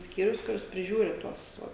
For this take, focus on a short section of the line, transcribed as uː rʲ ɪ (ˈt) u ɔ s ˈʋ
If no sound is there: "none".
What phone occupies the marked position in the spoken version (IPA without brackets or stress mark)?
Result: t